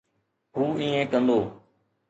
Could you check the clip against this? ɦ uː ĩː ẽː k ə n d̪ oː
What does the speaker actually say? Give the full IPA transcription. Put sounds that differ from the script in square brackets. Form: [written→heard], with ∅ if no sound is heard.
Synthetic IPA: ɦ uː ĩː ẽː k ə n d̪ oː